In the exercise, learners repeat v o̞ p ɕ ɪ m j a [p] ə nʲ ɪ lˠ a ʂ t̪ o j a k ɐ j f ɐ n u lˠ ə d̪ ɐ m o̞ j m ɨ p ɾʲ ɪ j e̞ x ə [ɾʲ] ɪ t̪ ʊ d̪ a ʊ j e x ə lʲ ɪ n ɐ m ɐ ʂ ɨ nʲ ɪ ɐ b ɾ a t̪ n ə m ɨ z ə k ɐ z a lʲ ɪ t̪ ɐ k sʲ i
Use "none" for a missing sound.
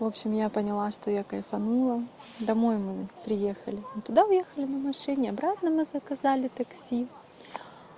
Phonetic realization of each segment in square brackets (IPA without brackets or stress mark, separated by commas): p, lʲ